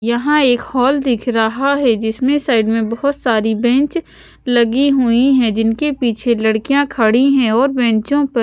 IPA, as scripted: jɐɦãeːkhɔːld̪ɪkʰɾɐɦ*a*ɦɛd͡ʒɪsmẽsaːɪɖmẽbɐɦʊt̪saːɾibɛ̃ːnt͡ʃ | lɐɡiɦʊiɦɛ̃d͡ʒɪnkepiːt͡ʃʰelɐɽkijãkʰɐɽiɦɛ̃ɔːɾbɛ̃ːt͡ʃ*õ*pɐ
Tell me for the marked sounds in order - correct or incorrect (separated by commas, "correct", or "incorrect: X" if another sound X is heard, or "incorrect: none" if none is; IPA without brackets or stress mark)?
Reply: correct, correct